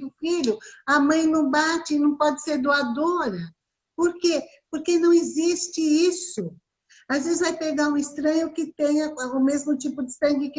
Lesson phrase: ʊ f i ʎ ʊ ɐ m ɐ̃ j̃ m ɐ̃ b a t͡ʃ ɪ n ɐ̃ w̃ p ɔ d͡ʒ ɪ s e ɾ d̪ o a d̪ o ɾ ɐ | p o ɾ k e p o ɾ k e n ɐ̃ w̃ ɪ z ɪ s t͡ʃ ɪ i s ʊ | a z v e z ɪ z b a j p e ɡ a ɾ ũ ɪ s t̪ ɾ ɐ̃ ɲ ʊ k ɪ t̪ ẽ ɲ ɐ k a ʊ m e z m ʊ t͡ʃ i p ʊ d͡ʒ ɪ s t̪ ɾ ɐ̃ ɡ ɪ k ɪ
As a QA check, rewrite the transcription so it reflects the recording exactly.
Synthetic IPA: ʊ f i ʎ ʊ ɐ m ɐ̃ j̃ n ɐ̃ b a t͡ʃ ɪ n ɐ̃ w̃ p ɔ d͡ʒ ɪ s e ɾ d̪ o a d̪ o ɾ ɐ | p o ɾ k e p o ɾ k e n ɐ̃ w̃ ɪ z i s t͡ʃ ɪ i s ʊ | a z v e z ɪ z v a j p e ɡ a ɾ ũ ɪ s t̪ ɾ ɐ̃ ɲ ʊ k ɪ t̪ ẽ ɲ ɐ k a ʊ m e z m ʊ t͡ʃ i p ʊ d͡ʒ ɪ s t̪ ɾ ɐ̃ ɡ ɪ k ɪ